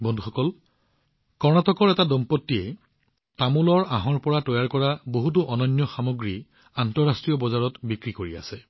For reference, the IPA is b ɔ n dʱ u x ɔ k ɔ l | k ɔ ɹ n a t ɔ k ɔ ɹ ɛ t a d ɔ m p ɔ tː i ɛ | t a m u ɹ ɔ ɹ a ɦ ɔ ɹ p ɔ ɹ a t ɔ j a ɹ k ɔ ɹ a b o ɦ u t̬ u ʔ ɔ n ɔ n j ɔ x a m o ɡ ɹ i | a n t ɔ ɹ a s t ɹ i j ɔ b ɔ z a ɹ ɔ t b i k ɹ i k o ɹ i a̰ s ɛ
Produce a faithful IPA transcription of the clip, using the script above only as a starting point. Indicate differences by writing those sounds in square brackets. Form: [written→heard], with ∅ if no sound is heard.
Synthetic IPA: b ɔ n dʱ u x ɔ k ɔ l | k ɔ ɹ n a t ɔ k ɔ ɹ ɛ t a d ɔ m p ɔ tː i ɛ | t a m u [ɹ→l] ɔ ɹ a ɦ ɔ ɹ p ɔ ɹ a t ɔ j a ɹ k ɔ ɹ a b o ɦ u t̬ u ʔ ɔ n ɔ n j ɔ x a m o ɡ ɹ i | a n t ɔ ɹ a s t ɹ i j ɔ b ɔ z a ɹ ɔ t b i k ɹ i k o ɹ i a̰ s ɛ

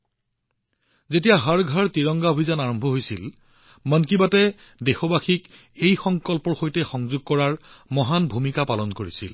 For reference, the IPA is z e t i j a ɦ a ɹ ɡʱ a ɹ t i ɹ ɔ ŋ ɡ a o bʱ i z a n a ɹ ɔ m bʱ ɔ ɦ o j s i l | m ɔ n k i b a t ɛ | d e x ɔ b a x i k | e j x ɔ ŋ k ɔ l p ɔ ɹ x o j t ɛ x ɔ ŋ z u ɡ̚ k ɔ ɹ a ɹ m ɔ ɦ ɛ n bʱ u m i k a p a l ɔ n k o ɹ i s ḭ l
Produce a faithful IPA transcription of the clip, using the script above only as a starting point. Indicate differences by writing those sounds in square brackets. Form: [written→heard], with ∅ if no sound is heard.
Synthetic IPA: z e t i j a ɦ a ɹ ɡʱ a ɹ t i ɹ ɔ ŋ ɡ a o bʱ i z a n a ɹ ɔ m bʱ ɔ ɦ o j s i l | m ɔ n k i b a t ɛ | d e x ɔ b a x i k | e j x ɔ ŋ k ɔ l p ɔ ɹ x o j t ɛ x ɔ ŋ z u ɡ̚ k ɔ ɹ a ɹ m ɔ ɦ [ɛ→a] n bʱ u m i k a p a l ɔ n k o ɹ i s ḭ l

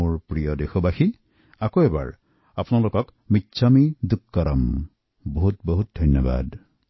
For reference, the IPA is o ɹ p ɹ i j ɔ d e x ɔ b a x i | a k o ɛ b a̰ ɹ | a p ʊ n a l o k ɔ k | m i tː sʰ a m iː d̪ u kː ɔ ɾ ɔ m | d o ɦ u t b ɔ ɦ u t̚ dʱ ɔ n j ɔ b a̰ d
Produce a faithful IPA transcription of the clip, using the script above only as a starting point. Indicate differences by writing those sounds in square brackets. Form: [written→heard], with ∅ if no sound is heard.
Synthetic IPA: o ɹ p ɹ i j ɔ d e x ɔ b a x i | a k o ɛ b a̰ ɹ | a p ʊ n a l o k ɔ k | m i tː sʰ a m [iː→i] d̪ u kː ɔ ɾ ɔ m | [d→b] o ɦ u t b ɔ ɦ u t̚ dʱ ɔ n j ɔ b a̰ d

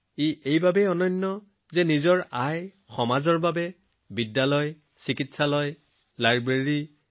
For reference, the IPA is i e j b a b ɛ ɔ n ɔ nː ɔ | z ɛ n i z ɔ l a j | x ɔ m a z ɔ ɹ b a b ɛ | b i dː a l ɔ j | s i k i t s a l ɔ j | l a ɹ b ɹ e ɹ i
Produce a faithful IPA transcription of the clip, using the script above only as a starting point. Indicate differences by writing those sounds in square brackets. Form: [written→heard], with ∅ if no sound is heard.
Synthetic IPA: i e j b a b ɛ ɔ n ɔ nː ɔ | z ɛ n i z ɔ [l→ɹ] a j | x ɔ m a z ɔ ɹ b a b ɛ | b i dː a l ɔ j | s i k i t s a l ɔ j | l a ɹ b ɹ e ɹ i

